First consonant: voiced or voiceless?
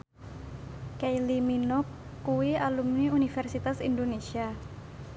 voiceless